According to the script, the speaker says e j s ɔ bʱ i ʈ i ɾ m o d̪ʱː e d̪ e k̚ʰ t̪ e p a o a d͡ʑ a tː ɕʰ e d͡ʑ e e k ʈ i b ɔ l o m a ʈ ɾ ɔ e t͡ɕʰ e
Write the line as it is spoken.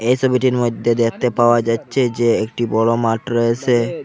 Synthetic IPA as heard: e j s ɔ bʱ i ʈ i ɾ m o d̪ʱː e d̪ e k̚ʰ t̪ e p a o a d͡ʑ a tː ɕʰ e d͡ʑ e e k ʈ i b ɔ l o m a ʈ ɾ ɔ e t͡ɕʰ e